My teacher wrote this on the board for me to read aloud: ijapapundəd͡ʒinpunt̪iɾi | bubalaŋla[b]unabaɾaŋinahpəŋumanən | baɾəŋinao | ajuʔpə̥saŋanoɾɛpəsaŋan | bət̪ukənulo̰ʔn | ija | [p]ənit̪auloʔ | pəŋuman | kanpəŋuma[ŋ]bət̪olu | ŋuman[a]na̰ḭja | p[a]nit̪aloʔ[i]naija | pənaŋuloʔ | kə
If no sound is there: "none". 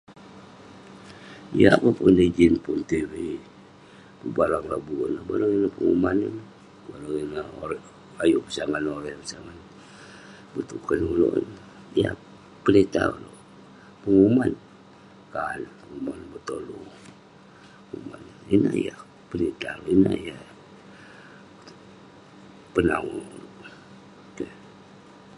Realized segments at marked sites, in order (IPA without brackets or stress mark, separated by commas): b, p, n, i, ə, i